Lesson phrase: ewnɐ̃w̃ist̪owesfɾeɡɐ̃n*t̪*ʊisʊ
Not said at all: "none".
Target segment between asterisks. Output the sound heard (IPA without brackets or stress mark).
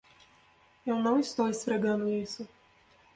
d̪